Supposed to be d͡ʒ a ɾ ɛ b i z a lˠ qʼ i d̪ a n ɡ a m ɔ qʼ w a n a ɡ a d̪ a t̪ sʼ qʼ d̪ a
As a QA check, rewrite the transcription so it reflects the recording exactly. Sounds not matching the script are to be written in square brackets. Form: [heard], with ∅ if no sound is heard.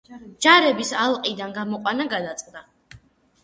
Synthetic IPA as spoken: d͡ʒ a ɾ ɛ b i [s] a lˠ qʼ i d̪ a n ɡ a m ɔ qʼ w a n a ɡ a d̪ a t̪ sʼ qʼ d̪ a